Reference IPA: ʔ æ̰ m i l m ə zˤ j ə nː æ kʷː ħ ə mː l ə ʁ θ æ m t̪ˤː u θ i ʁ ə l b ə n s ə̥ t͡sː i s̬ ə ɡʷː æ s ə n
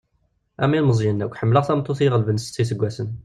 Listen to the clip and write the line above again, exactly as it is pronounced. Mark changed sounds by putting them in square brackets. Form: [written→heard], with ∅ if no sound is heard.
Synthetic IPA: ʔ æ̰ m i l m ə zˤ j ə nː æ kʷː ħ ə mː l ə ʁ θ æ m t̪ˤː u θ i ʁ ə l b ə n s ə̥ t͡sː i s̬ ə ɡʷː æ s ə n